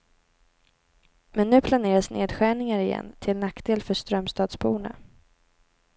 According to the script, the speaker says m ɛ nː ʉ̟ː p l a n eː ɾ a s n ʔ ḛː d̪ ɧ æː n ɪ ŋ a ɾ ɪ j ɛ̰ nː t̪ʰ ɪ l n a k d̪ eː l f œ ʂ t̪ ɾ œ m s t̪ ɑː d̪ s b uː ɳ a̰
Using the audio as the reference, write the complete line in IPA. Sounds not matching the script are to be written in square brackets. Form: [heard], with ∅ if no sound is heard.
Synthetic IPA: m ɛ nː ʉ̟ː [pʰ] l a n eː ɾ a s n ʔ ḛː d̪ ɧ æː [ɳ] ɪ ŋ a ɾ ɪ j ɛ̰ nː t̪ʰ ɪ l n a k d̪ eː l f œ ʂ t̪ ɾ œ m s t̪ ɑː d̪ s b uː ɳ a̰